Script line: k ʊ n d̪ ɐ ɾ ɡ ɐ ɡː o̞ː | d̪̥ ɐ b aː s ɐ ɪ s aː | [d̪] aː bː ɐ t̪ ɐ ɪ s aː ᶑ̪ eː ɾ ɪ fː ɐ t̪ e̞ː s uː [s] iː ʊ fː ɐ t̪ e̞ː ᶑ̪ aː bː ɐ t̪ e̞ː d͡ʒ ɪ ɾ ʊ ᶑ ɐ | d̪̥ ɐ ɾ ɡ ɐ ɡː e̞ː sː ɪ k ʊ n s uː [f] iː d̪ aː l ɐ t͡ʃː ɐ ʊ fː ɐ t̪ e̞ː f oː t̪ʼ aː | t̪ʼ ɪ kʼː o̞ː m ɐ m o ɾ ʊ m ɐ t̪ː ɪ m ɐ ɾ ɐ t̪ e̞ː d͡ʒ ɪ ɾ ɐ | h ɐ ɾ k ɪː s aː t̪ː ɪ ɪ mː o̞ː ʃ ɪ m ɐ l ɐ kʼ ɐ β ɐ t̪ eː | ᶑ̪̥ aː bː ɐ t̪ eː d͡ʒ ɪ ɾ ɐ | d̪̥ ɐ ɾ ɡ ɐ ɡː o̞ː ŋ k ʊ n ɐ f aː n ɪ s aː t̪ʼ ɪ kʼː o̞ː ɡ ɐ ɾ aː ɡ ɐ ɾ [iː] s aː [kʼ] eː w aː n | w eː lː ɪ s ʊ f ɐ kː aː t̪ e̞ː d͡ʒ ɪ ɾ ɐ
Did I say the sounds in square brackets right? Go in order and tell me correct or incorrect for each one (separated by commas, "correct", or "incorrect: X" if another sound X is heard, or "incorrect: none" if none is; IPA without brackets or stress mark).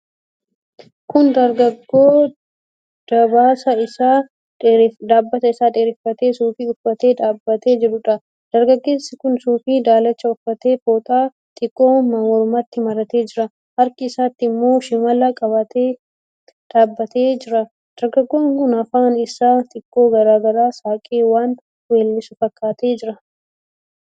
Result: correct, incorrect: f, correct, incorrect: aː, correct